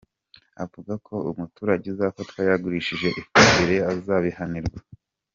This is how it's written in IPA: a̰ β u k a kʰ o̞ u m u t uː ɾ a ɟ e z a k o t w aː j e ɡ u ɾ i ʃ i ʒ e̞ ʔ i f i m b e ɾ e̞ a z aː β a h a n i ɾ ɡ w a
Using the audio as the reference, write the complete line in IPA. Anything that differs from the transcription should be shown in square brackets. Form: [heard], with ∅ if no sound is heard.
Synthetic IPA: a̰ [v] u [ɡ] a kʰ o̞ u m u t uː ɾ a ɟ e z a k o t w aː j [a] ɡ u ɾ i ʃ i ʒ e̞ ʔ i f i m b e ɾ e̞ a z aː β [i] h a n i ɾ ɡ w a

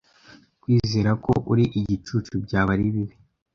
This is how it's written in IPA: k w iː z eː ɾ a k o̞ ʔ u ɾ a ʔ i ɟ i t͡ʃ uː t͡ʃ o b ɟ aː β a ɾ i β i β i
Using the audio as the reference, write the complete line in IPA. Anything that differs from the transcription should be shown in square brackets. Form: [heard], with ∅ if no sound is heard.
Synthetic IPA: k w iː z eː ɾ a k o̞ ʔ u ɾ [i] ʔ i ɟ i t͡ʃ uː t͡ʃ [u] b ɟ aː β a ɾ i β i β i

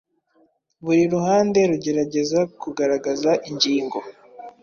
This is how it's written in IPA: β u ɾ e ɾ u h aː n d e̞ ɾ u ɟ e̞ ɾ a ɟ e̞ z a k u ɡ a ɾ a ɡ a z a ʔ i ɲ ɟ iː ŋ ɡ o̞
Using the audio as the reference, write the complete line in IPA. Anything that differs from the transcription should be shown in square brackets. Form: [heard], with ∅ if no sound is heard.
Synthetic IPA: β u ɾ [i] ɾ u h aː n d e̞ ɾ u ɟ e̞ ɾ a ɟ e̞ z a k u ɡ a ɾ a ɡ a z a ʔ i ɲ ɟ iː ŋ ɡ o̞

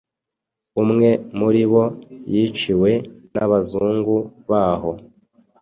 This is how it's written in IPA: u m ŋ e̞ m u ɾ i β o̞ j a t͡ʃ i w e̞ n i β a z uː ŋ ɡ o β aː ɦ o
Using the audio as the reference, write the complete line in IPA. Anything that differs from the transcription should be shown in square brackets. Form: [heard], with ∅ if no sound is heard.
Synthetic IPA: u m ŋ e̞ m u ɾ i β o̞ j [i] t͡ʃ i w e̞ n [a] β a z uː ŋ ɡ [u] β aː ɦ o

